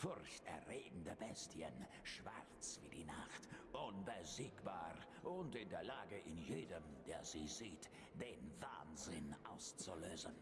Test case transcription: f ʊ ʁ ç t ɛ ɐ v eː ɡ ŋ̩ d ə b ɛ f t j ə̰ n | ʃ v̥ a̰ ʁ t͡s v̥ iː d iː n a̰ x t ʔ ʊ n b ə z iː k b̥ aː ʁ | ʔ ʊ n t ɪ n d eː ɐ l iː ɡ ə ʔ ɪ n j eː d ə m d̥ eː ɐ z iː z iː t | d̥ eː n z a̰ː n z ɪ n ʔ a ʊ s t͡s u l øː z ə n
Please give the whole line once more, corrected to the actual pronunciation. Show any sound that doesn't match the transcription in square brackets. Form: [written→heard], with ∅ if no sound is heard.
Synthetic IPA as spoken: f ʊ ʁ ç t ɛ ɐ [v→ʁ] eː ɡ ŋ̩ d ə b ɛ [f→s] t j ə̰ n | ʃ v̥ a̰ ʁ t͡s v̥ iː d iː n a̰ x t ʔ ʊ n b ə z iː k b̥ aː ʁ | ʔ ʊ n t ɪ n d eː ɐ l [iː→aː] ɡ ə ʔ ɪ n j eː d ə m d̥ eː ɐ z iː z iː t | d̥ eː n [z→v] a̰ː n z ɪ n ʔ a ʊ s t͡s u l øː z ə n

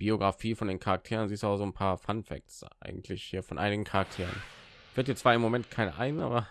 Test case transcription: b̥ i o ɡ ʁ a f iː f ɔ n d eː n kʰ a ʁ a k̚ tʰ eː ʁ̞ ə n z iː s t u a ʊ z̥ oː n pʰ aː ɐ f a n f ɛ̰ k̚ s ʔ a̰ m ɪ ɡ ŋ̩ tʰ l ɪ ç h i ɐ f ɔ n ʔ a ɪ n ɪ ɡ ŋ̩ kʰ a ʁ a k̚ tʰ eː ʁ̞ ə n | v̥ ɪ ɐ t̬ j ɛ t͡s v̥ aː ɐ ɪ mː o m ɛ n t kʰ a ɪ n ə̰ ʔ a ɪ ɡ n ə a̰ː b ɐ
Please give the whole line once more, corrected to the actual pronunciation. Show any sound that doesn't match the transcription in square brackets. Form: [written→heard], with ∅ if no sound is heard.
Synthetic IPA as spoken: b̥ i o ɡ ʁ a f iː f ɔ n d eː n kʰ a ʁ a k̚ tʰ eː ʁ̞ ə n z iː s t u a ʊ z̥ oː n pʰ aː ɐ f a n f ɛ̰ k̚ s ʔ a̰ [m→∅] ɪ ɡ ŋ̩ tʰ l ɪ ç h [i→iː] ɐ f ɔ n ʔ a ɪ n ɪ ɡ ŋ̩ kʰ a ʁ a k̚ tʰ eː ʁ̞ ə n | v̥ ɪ ɐ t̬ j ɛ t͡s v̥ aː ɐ ɪ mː o m ɛ n t kʰ a ɪ n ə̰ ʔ a ɪ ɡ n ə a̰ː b ɐ

